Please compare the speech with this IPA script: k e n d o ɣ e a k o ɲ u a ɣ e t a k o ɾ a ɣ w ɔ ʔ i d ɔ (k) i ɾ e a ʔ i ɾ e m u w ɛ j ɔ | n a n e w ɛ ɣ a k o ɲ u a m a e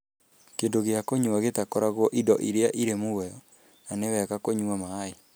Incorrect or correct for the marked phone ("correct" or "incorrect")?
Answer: incorrect